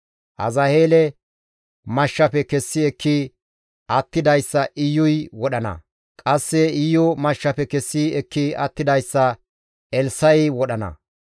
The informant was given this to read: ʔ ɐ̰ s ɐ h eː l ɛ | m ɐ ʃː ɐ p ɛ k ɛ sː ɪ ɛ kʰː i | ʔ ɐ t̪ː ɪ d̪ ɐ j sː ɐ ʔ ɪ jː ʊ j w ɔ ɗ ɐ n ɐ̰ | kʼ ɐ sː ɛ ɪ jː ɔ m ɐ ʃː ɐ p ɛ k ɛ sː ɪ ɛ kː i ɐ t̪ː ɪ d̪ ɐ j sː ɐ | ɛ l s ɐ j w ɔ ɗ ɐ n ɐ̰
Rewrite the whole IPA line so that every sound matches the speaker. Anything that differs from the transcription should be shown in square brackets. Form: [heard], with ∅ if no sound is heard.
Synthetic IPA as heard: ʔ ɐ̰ [z] ɐ h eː l ɛ | m ɐ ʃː ɐ p ɛ k ɛ sː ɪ ɛ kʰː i | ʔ ɐ t̪ː ɪ d̪ ɐ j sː ɐ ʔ ɪ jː ʊ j w ɔ ɗ ɐ n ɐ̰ | kʼ ɐ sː ɛ ɪ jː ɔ m ɐ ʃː ɐ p ɛ k ɛ sː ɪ ɛ kː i ɐ t̪ː ɪ d̪ ɐ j sː ɐ | ɛ l s ɐ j w ɔ ɗ ɐ n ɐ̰